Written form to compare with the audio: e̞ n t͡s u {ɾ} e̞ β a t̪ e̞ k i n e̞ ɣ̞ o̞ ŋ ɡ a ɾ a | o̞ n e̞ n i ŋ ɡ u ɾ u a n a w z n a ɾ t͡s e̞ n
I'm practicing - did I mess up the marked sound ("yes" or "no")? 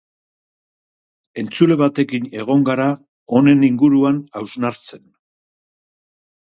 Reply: yes